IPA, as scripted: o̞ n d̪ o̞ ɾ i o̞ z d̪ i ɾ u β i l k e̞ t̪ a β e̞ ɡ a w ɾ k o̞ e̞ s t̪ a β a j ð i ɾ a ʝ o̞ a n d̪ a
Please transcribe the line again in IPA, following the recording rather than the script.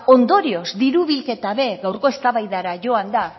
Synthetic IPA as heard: o̞ n d̪ o̞ ɾ i o̞ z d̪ i ɾ u β i l k e̞ t̪ a β e̞ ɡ a w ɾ k o̞ e̞ s t̪ a β a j ð a ɾ a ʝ o̞ a n d̪ a